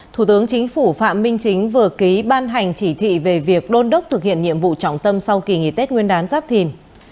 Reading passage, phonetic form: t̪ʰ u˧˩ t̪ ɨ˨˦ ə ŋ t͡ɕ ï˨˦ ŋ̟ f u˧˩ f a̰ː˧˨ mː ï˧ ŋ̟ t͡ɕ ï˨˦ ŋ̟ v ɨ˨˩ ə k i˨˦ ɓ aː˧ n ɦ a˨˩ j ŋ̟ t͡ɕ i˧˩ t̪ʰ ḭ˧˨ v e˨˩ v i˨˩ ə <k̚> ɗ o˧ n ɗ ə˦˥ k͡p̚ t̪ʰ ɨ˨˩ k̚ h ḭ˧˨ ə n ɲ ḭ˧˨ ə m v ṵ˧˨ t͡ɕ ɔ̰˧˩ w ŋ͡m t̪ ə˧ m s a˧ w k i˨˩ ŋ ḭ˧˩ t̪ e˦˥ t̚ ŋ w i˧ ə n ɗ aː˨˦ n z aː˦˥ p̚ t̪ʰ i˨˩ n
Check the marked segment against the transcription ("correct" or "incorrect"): correct